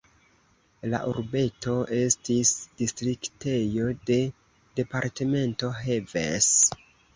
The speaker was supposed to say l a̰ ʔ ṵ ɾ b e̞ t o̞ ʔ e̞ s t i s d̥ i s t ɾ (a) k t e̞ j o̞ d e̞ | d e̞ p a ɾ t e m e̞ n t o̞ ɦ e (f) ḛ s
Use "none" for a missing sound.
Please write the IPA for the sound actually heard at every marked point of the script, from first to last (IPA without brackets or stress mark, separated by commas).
i, v